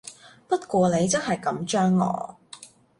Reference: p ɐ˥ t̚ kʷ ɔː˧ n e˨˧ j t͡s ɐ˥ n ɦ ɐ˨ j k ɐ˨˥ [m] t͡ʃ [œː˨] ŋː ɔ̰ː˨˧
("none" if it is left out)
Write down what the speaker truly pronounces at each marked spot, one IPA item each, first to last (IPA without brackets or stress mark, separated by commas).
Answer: m, œː˥